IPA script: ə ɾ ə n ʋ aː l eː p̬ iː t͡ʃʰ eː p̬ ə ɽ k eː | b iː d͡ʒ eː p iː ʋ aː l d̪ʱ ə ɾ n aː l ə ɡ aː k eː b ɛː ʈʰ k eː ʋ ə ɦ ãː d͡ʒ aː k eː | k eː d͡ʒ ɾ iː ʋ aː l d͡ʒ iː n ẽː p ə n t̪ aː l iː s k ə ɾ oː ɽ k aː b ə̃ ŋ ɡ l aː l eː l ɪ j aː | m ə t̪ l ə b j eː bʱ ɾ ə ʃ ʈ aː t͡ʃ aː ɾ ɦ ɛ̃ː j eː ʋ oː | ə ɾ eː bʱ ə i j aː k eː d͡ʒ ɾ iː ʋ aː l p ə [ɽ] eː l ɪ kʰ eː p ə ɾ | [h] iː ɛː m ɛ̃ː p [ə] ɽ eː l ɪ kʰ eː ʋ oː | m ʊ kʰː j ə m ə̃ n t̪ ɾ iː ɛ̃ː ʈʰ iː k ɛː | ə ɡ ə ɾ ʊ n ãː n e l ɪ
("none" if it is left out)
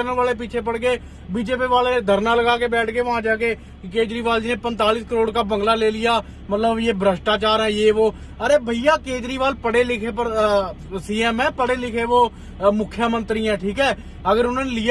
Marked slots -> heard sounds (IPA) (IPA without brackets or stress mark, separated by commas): ɽ, s, ə